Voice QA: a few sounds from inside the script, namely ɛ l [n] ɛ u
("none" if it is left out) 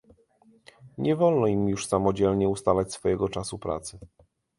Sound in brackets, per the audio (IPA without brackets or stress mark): ɲ